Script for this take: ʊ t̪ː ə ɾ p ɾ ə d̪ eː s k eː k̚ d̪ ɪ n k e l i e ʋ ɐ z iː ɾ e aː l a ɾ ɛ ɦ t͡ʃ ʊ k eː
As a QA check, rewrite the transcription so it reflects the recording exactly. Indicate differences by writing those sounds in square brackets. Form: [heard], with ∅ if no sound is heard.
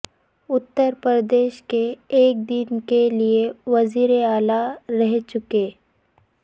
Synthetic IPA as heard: ʊ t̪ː ə ɾ p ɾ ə d̪ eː [ʃ] k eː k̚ d̪ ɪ n k e l i e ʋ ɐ z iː ɾ e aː l a ɾ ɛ ɦ t͡ʃ ʊ k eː